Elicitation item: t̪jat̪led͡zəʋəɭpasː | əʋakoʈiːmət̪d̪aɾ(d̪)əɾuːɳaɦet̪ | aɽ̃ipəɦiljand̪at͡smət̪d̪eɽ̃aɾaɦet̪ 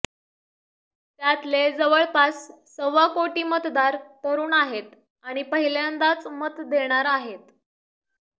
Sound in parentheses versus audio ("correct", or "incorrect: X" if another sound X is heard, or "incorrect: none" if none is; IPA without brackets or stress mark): incorrect: t̪